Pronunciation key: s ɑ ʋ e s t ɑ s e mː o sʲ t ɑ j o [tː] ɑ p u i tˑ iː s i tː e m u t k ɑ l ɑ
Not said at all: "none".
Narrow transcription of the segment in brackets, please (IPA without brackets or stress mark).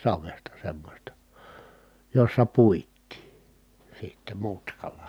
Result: sː